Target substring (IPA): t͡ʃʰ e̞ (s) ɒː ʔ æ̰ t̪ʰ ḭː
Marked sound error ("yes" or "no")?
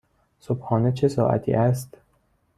no